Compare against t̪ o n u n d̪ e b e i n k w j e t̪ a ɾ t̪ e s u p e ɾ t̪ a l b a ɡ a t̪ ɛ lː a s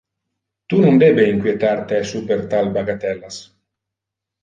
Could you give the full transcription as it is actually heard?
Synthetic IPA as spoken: t̪ u n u n d̪ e b e i ŋ k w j e t̪ a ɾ t̪ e s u p e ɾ t̪ a l b a ɡ a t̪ ɛ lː a s